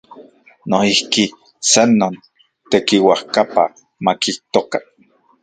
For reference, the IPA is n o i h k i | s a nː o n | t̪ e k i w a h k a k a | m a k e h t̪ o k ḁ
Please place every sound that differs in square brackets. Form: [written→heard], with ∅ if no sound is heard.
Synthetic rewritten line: n o i h k i | s a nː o n | t̪ e k i w a h k a [k→p] a | m a k [e→i] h t̪ o k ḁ